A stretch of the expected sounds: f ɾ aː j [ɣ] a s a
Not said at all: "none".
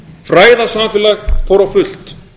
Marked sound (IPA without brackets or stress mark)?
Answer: ð